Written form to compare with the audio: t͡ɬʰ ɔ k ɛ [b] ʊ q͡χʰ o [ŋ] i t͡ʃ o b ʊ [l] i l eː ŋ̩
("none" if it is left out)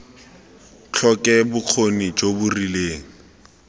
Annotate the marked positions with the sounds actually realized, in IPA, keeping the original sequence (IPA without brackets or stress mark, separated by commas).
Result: b, n, r